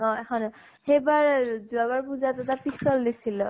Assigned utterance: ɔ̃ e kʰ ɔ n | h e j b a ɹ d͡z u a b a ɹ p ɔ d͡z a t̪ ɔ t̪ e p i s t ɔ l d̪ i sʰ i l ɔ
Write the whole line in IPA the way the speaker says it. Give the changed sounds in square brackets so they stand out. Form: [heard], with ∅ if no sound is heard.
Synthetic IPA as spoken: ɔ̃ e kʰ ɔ n | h e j b a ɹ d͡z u a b a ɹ p [u] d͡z a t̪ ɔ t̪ [a] p i s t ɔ l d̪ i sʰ i l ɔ